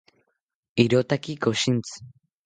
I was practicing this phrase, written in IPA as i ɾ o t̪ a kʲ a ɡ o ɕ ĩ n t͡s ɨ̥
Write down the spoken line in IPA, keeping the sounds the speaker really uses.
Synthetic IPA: i ɾ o t̪ a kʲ i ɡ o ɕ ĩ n t͡s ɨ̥